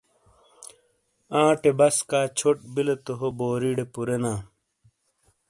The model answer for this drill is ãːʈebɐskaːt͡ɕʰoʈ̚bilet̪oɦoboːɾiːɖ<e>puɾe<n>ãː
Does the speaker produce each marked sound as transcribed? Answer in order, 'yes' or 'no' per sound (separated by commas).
yes, yes